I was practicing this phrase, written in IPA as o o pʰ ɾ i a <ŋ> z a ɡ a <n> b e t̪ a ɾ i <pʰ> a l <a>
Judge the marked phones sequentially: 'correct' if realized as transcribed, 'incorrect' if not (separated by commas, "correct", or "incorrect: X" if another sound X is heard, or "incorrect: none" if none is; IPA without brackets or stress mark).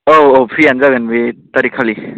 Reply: incorrect: n, correct, incorrect: kʰ, incorrect: i